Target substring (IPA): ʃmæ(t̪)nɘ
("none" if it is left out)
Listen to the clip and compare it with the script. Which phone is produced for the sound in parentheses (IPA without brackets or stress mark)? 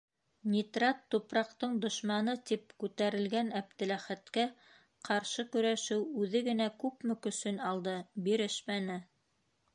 none